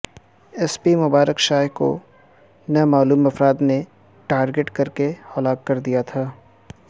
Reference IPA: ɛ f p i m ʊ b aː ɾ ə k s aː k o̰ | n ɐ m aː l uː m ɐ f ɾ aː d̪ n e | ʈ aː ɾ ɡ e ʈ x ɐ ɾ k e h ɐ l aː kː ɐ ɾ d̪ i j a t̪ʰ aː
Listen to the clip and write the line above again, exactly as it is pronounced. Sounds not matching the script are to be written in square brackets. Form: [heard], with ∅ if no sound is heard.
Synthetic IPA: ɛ [s] p i m ʊ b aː ɾ ə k [ʃ] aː k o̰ | n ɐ m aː l uː m ɐ f ɾ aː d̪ n e | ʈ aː ɾ ɡ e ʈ [k] ɐ ɾ k e h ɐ l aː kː ɐ ɾ d̪ i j a t̪ʰ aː

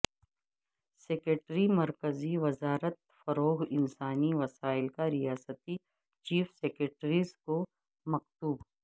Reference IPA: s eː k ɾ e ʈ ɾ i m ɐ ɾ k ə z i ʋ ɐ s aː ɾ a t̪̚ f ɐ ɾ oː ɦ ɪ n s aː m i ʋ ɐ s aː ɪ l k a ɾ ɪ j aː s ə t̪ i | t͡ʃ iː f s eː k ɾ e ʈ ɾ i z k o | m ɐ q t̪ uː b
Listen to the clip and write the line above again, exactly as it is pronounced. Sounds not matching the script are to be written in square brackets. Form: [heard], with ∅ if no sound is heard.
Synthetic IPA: s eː k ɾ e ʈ ɾ i m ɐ ɾ k ə z i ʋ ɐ [z] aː ɾ [ə] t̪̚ f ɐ ɾ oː ɦ ɪ n s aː [n] i ʋ ɐ s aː ɪ l k a ɾ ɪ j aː s ə t̪ i | t͡ʃ iː f s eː k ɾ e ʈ ɾ i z k o | m ɐ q t̪ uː b

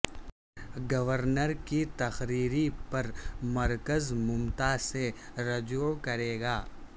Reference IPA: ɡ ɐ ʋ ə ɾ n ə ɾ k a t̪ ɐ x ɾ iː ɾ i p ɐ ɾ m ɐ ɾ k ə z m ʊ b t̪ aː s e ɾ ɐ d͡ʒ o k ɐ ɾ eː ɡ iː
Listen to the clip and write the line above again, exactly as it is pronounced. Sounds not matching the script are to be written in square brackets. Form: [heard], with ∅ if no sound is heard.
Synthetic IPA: ɡ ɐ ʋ ə ɾ n ə ɾ k [i] t̪ ɐ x ɾ iː ɾ i p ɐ ɾ m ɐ ɾ k ə z m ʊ [m] t̪ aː s e ɾ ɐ d͡ʒ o k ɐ ɾ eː ɡ [aː]

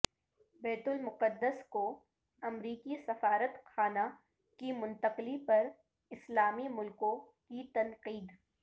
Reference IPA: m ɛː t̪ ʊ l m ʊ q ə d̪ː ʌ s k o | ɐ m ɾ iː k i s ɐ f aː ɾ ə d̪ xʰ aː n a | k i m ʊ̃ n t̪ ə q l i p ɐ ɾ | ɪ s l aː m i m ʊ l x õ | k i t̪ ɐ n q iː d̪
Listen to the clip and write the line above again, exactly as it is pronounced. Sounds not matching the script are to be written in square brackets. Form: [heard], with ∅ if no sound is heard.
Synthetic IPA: [b] ɛː t̪ ʊ l m ʊ q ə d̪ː [ə] s k o | ɐ m ɾ iː k i s ɐ f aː ɾ ə [t̪] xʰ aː n a | k i m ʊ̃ n t̪ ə q l i p ɐ ɾ | ɪ s l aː m i m ʊ l [k] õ | k i t̪ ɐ n q iː d̪

